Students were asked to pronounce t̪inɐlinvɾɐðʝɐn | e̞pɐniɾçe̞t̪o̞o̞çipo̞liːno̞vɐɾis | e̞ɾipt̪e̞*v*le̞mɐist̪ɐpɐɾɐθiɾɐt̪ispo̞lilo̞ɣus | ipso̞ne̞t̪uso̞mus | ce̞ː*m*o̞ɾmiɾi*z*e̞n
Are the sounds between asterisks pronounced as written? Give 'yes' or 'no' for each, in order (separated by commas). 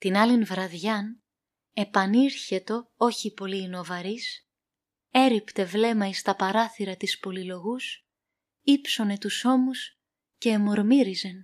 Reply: yes, yes, yes